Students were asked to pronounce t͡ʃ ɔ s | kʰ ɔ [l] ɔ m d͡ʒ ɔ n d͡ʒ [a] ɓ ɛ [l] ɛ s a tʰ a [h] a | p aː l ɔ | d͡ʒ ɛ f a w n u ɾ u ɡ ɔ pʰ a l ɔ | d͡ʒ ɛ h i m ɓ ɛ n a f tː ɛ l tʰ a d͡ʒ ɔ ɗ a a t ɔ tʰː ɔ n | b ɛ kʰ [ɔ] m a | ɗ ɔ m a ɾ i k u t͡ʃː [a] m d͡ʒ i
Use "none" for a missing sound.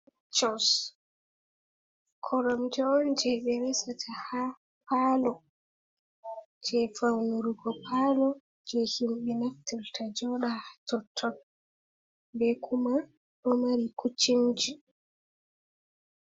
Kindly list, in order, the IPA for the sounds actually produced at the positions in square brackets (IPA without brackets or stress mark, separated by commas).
ɾ, ɛ, ɾ, h, u, i